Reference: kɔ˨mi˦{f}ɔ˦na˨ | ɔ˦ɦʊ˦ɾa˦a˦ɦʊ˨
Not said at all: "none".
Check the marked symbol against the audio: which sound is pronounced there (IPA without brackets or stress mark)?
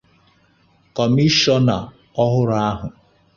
ʃ